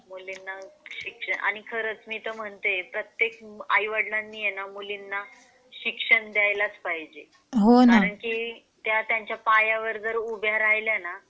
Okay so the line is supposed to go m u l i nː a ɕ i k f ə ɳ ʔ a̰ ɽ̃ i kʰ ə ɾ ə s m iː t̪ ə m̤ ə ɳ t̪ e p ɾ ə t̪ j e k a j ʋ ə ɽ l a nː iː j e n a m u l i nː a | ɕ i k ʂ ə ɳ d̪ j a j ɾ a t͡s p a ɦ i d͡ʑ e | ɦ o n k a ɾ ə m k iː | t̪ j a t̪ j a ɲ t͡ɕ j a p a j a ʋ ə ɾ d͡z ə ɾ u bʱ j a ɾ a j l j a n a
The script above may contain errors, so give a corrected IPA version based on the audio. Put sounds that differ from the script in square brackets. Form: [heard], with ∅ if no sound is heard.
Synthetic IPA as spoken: m u l i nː a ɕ i k [ʂ] ə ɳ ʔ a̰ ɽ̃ i kʰ ə ɾ ə [t͡s] m iː t̪ ə m̤ ə ɳ t̪ e p ɾ ə t̪ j e k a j ʋ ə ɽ l a nː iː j e n a m u l i nː a | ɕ i k ʂ ə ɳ d̪ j a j [l] a t͡s p a ɦ i d͡ʑ e | ɦ o n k a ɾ ə [ɳ] k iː | t̪ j a t̪ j a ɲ t͡ɕ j a p a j a ʋ ə ɾ d͡z ə ɾ u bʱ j a ɾ a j l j a n a